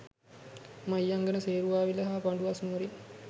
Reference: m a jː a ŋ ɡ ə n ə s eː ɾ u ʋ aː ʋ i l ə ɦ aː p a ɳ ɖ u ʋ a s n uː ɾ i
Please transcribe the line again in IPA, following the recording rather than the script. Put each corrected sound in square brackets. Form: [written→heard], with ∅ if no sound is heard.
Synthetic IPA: m a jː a ŋ ɡ ə n ə s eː ɾ u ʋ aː ʋ i l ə ɦ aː p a ɳ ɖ u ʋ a s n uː ɾ i